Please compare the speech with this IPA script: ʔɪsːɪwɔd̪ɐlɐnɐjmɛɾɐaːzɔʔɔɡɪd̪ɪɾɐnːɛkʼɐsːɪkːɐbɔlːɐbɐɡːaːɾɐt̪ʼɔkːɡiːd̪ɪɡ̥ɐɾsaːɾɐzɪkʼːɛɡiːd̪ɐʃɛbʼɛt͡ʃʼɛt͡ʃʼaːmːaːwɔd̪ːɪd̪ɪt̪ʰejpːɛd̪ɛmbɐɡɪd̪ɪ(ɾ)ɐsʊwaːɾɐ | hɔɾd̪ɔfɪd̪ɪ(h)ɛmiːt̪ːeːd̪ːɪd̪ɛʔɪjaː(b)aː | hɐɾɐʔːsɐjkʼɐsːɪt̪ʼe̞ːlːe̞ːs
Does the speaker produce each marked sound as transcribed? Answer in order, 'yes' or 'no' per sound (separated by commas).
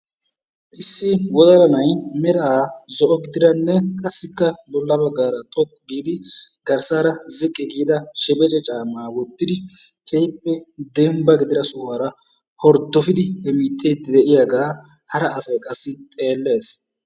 yes, yes, no